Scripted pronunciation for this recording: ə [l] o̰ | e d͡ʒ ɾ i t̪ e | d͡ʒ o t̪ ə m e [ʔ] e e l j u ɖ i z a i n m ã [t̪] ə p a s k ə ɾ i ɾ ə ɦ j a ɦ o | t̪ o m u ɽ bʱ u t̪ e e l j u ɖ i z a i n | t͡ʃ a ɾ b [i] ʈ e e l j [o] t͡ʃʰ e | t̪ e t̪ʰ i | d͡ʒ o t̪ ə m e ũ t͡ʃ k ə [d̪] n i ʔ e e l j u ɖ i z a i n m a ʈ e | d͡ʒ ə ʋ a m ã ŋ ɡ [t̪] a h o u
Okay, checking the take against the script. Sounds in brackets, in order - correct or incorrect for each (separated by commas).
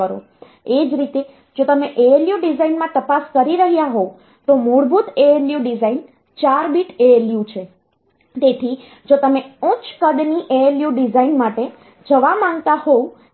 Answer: incorrect, correct, correct, correct, incorrect, correct, correct